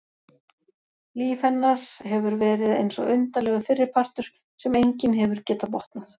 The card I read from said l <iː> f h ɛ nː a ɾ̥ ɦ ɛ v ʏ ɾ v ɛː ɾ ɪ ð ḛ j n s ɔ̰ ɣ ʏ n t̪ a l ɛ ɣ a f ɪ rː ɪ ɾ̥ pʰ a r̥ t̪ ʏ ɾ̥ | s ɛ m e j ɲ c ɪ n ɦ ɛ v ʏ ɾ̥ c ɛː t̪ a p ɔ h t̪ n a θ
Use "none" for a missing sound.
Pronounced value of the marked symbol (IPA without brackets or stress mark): iː